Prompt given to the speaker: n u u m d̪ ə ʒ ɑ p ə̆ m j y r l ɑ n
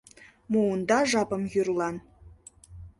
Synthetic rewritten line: m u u n d̪ ɑ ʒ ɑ p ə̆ m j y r l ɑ n